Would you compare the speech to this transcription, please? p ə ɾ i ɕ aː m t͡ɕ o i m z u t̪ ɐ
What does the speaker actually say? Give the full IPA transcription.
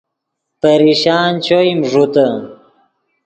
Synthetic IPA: p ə ɾ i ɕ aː n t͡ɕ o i m ʐ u t̪ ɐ